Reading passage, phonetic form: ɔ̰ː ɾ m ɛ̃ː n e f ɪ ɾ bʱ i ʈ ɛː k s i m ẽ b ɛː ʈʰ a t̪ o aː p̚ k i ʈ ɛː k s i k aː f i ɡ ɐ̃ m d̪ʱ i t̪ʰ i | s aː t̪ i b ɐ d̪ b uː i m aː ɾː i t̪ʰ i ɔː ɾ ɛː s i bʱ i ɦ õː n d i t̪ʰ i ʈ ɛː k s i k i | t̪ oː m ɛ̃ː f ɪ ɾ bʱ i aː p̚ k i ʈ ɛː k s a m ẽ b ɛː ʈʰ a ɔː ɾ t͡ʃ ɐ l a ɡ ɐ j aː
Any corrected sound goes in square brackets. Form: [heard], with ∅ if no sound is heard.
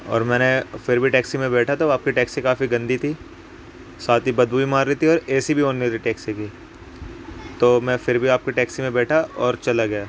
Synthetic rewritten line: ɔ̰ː ɾ m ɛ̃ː n e f ɪ ɾ bʱ i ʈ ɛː k s i m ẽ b ɛː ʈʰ a t̪ o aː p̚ k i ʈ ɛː k s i k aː f i ɡ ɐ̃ [n] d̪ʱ i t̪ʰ i | s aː t̪ i b ɐ d̪ b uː i m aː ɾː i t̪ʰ i ɔː ɾ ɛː s i bʱ i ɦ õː n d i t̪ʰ i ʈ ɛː k s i k i | t̪ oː m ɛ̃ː f ɪ ɾ bʱ i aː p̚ k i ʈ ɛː k s [i] m ẽ b ɛː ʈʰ a ɔː ɾ t͡ʃ ɐ l a ɡ ɐ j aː